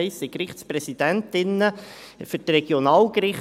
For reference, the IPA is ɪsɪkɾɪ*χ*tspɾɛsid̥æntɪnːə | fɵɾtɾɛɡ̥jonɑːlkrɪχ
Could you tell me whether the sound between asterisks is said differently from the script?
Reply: no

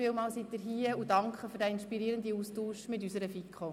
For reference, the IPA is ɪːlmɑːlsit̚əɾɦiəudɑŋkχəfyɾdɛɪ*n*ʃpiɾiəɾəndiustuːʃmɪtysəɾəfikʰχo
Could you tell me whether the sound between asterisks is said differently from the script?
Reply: no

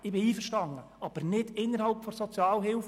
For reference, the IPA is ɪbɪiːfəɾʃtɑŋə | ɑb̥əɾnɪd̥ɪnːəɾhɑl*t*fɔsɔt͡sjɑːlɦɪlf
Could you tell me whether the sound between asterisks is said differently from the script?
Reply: yes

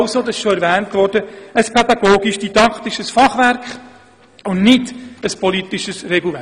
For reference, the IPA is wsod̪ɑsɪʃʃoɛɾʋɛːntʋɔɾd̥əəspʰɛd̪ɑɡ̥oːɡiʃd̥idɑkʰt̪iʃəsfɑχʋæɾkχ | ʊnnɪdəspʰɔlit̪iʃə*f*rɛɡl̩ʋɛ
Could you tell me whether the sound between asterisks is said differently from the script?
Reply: yes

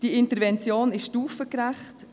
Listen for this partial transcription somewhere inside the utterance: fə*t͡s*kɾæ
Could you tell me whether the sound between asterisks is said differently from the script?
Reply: yes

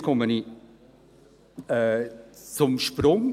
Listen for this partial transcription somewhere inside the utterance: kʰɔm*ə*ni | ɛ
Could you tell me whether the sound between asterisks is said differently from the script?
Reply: no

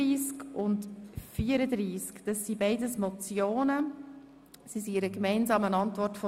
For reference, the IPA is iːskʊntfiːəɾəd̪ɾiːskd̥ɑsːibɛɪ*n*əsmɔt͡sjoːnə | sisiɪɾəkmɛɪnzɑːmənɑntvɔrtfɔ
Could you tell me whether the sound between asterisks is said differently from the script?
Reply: yes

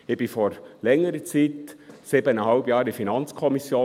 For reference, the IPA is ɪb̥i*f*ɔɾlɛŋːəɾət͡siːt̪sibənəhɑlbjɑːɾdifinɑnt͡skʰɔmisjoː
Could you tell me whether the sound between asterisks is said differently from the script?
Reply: no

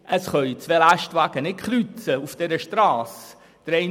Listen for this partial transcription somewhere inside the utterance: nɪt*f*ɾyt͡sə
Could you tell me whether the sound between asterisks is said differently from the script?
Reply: yes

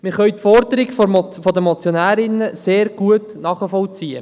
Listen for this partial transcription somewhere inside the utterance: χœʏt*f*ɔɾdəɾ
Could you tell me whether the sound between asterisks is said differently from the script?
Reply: no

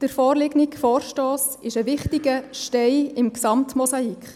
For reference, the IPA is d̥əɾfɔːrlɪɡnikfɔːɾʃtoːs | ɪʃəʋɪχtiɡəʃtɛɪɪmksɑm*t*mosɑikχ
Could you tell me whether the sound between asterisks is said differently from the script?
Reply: no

